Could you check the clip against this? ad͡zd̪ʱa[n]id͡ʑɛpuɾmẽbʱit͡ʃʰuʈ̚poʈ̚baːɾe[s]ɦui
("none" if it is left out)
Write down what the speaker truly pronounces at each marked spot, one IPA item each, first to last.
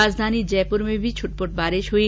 n, ʃ

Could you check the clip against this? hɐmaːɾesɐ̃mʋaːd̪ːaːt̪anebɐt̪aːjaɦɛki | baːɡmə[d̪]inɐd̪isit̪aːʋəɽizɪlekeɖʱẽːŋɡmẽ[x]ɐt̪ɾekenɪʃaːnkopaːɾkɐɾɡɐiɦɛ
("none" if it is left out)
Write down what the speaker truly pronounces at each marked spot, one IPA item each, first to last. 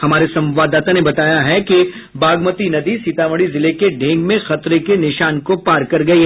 t̪, x

